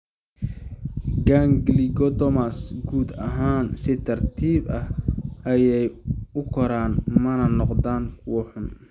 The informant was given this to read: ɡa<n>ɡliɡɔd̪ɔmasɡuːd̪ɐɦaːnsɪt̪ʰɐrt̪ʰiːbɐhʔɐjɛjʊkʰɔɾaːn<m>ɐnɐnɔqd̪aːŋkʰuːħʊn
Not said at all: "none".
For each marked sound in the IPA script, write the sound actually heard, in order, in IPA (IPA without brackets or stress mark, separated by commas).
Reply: ŋ, m